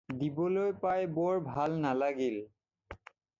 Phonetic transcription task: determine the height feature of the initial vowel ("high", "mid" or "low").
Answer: high